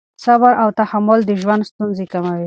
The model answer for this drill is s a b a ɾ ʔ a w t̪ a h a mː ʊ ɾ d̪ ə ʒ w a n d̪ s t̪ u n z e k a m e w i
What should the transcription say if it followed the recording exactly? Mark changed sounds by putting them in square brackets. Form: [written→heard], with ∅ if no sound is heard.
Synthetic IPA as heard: s a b a ɾ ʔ a w t̪ a h a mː ʊ [ɾ→l] d̪ ə ʒ w a n d̪ s t̪ u n z e k a m [e→a] w i